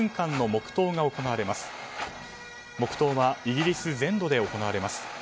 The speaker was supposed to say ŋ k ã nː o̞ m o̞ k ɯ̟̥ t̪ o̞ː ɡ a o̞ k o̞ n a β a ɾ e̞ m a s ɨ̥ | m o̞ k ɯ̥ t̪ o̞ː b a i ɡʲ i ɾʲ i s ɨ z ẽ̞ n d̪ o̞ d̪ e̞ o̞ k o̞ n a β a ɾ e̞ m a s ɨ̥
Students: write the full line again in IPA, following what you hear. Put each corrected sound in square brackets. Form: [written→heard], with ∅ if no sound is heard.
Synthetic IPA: ŋ k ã nː o̞ m o̞ k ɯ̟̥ t̪ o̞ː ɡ a o̞ k o̞ n a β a ɾ e̞ m a s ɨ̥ | m o̞ k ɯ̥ t̪ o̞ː [b→β] a i ɡʲ i ɾʲ i s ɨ z ẽ̞ n d̪ o̞ d̪ e̞ o̞ k o̞ n a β a ɾ e̞ m a s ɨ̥